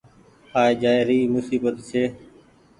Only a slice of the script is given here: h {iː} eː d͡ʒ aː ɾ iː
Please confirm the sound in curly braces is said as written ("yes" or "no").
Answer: no